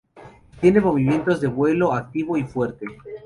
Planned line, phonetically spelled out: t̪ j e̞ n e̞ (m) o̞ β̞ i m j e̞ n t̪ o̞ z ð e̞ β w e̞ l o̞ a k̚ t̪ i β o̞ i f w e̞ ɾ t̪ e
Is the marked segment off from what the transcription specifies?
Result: no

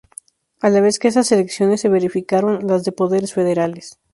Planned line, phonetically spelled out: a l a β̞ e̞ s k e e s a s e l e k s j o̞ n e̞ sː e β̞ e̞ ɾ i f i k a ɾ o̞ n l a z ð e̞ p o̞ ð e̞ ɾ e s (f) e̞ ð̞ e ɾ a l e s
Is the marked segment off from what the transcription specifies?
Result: no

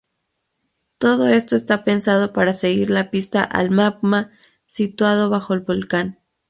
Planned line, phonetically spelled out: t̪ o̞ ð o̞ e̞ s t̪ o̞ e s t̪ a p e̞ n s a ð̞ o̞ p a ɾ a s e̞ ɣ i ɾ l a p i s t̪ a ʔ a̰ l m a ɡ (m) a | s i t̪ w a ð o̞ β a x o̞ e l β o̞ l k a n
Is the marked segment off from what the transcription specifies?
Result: no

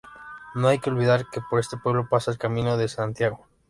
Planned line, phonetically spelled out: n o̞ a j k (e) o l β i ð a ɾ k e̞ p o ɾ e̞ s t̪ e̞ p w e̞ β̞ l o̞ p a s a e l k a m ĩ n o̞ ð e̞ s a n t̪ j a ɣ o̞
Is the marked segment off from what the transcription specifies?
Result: no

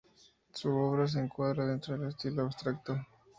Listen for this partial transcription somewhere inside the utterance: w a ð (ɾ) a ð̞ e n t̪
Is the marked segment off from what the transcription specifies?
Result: no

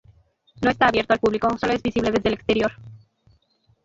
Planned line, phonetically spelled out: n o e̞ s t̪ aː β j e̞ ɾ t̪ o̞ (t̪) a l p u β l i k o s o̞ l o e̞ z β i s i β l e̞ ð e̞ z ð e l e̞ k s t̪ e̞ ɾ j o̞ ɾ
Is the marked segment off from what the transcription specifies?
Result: yes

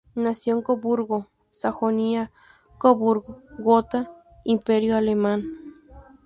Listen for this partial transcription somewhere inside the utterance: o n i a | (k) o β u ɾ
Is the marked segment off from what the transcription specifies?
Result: no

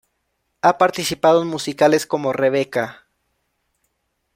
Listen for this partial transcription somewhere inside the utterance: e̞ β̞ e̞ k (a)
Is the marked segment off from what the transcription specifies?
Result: no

